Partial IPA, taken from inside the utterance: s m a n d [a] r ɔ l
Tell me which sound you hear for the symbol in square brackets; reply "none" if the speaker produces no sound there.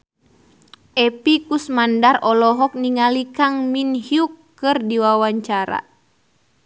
a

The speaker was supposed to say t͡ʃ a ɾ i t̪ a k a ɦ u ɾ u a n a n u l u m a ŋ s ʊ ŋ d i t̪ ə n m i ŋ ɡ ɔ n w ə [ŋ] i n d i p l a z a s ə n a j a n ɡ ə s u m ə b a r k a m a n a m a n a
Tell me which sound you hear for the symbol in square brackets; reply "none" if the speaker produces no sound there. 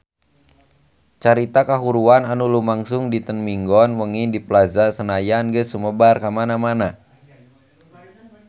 ŋ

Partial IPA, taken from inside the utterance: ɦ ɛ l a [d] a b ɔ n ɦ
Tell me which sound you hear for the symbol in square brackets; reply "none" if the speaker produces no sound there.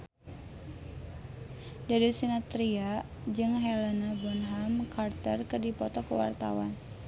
n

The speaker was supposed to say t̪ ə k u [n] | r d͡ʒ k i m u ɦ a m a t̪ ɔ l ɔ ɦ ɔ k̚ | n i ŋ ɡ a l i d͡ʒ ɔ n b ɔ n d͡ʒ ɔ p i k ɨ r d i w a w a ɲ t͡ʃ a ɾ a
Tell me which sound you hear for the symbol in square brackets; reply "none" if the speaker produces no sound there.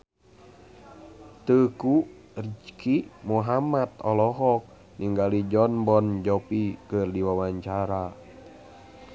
none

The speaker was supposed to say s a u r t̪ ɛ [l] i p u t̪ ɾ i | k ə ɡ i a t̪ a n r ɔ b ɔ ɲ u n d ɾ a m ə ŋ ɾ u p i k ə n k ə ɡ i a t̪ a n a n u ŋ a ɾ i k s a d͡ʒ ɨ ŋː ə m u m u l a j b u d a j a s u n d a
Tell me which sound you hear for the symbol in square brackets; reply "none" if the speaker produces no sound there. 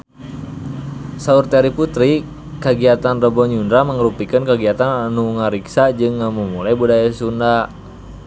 ɾ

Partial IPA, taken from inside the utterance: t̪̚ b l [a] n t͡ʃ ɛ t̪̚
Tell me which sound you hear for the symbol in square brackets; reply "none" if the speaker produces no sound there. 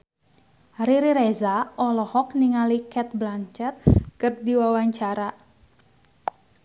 a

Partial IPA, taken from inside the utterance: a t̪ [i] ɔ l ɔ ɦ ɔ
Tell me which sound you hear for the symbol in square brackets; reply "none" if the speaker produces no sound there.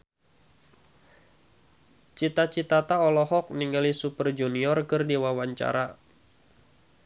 a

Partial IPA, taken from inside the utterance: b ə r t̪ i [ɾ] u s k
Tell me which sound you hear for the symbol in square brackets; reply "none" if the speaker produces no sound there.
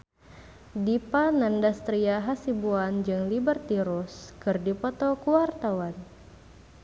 ɾ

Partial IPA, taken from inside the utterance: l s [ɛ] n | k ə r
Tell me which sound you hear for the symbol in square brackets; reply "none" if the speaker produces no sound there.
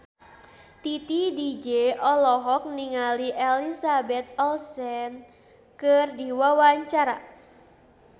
ɛ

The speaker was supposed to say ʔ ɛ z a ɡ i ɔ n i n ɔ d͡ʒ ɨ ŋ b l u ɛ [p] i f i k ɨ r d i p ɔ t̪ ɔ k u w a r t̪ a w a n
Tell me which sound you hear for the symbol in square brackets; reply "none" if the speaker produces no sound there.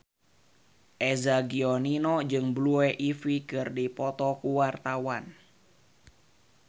ʔ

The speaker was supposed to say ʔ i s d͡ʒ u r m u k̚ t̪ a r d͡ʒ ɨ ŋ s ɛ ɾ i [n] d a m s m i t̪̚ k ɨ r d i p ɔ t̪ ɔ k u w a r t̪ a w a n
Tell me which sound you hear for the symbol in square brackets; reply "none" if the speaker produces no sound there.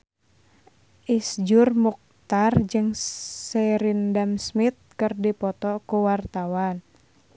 n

